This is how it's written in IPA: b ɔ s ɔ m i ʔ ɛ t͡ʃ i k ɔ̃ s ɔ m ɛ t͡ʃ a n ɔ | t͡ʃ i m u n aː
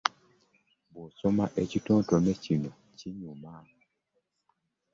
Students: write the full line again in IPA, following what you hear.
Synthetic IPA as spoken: b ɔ s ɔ m a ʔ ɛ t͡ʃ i t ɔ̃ t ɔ m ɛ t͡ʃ i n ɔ | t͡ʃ i ɲ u m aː